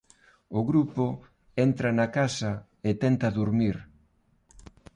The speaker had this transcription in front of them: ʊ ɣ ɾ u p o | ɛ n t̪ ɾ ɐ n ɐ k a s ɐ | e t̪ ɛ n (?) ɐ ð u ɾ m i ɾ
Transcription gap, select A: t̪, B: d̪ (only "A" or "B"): A